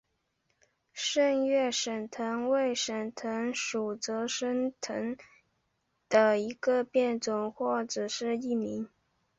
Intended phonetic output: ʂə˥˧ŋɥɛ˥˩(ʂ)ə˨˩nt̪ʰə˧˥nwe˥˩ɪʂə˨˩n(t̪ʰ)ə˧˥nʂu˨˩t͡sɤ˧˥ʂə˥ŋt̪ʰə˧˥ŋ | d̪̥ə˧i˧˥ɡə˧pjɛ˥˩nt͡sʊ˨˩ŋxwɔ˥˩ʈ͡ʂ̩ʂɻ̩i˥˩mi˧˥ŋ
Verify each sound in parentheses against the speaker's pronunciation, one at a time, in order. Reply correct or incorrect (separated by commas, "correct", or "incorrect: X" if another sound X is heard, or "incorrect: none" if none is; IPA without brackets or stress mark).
correct, correct